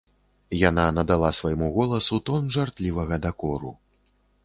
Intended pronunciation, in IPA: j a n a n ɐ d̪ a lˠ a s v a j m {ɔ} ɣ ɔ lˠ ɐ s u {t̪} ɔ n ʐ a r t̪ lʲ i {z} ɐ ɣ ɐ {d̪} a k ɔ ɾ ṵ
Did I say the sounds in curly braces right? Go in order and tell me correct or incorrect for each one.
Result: incorrect, correct, incorrect, correct

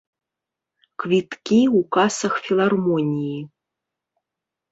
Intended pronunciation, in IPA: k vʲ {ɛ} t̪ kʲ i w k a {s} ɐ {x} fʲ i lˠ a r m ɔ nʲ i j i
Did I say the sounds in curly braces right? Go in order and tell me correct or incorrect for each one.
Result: incorrect, correct, correct

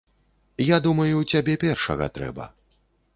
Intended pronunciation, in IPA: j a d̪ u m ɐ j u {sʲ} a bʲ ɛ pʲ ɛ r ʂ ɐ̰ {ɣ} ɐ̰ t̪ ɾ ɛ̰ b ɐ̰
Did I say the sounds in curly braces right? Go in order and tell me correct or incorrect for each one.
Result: incorrect, correct

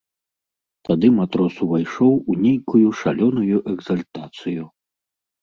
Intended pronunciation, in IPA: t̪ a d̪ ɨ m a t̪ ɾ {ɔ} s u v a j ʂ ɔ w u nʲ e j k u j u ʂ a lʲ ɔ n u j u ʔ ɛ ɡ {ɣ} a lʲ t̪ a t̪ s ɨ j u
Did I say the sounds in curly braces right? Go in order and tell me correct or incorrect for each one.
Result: correct, incorrect

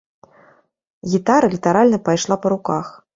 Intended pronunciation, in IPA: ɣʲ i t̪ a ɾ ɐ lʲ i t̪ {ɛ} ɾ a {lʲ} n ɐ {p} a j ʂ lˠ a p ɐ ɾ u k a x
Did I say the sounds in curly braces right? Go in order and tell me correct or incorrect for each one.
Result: incorrect, correct, correct

